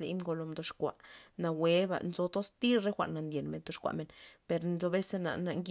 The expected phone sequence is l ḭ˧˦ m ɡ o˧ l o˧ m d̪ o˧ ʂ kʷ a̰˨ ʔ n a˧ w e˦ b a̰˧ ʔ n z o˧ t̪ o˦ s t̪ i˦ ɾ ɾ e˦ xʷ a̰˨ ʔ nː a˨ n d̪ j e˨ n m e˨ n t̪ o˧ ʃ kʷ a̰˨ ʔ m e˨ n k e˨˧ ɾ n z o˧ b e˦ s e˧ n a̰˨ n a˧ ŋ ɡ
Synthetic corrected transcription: l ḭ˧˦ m ɡ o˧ l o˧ m d̪ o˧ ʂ kʷ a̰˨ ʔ n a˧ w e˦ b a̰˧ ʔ n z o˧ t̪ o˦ s t̪ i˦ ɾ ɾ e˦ xʷ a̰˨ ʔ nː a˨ n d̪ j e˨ n m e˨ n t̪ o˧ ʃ kʷ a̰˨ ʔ m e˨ n p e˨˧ ɾ n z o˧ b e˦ s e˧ n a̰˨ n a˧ ŋ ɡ